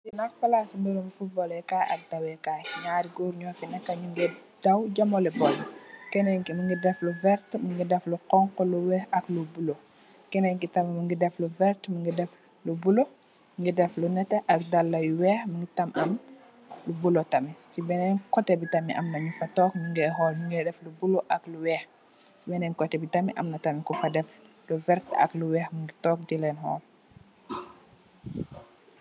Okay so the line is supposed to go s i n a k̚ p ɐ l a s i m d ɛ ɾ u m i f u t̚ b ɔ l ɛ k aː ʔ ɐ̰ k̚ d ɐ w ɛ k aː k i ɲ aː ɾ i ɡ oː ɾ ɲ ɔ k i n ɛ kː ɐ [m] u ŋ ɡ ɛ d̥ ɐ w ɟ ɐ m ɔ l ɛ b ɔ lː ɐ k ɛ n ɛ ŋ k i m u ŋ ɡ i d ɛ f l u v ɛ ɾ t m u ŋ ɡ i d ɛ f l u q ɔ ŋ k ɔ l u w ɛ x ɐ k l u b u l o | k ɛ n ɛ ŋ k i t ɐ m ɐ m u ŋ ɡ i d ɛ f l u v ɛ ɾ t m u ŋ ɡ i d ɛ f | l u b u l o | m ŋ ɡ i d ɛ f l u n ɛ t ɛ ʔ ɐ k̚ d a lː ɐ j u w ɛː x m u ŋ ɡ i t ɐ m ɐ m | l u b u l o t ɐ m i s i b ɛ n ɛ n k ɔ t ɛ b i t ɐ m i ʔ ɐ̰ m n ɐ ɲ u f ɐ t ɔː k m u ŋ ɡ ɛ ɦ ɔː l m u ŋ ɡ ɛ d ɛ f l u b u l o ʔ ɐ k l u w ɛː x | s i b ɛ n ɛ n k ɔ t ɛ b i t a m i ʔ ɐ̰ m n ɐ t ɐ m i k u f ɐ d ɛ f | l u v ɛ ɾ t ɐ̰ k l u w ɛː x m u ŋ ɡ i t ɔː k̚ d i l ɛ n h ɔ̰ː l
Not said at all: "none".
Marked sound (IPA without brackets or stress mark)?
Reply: ɲ